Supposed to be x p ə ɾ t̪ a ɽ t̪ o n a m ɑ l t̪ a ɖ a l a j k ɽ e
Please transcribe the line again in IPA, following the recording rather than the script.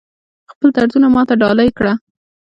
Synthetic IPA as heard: x p ə l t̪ a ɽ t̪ u n a m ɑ t̪ a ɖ ɑ l a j k ɽ a